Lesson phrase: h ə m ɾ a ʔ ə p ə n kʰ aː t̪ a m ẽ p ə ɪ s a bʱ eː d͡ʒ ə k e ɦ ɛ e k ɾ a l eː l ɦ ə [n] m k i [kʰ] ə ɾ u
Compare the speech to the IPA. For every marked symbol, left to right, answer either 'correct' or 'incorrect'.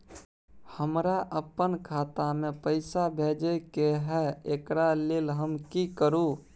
incorrect: none, incorrect: k

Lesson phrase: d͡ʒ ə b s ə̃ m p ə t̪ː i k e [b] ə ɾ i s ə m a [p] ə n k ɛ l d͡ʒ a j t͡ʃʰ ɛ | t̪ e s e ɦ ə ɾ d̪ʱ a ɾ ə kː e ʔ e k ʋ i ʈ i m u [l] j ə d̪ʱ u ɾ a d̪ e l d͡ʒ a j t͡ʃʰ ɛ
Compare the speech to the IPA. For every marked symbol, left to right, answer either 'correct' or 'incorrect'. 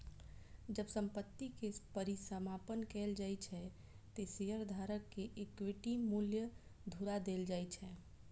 incorrect: p, correct, correct

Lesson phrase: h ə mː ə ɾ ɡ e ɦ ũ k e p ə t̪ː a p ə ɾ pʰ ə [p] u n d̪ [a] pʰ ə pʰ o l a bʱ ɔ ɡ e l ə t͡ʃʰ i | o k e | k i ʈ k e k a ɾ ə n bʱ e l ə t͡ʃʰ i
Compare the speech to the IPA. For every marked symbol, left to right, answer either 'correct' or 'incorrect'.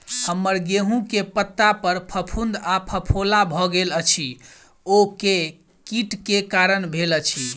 incorrect: pʰ, correct

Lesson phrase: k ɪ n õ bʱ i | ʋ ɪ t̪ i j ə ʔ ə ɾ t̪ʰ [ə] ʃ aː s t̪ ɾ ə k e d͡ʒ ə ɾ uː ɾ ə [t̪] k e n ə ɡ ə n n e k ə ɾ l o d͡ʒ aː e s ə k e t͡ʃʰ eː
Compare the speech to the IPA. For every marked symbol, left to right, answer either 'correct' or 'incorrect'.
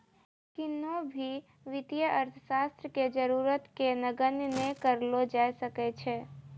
correct, correct

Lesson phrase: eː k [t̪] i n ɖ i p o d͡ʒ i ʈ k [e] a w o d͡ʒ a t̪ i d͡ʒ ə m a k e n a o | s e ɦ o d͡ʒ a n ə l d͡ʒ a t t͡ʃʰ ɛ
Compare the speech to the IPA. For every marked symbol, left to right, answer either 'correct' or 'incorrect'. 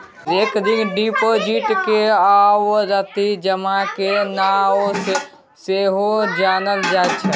incorrect: d̪, correct

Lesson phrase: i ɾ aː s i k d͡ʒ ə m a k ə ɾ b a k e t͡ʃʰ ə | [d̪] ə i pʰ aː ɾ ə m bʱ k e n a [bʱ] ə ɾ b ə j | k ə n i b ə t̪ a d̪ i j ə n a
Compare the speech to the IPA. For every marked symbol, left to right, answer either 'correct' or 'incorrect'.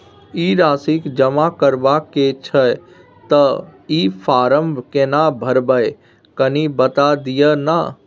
incorrect: t̪, correct

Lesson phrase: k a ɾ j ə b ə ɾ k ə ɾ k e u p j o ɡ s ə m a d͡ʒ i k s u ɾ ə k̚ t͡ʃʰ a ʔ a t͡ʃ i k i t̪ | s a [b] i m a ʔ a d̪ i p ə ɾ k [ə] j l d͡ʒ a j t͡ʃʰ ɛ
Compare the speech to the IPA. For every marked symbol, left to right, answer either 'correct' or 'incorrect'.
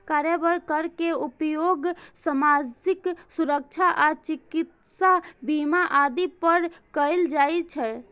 correct, correct

